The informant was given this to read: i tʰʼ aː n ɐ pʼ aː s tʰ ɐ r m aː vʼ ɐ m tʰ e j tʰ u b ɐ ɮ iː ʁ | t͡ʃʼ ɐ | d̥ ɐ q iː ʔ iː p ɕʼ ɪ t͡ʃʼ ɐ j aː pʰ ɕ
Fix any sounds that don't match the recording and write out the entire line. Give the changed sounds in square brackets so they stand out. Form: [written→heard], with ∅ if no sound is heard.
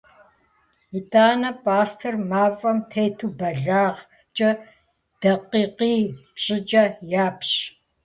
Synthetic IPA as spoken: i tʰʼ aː n ɐ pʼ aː s tʰ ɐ r m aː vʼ ɐ m tʰ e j tʰ u b ɐ ɮ [iː→aː] ʁ | t͡ʃʼ ɐ | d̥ ɐ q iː [ʔ→q] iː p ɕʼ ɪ t͡ʃʼ ɐ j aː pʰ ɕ